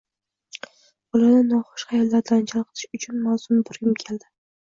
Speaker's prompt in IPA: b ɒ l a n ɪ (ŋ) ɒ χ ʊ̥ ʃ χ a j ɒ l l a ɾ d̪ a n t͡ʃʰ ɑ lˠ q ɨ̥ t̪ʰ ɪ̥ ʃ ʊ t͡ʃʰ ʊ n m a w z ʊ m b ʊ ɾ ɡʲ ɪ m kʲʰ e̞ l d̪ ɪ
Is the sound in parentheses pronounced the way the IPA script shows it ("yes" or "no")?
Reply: no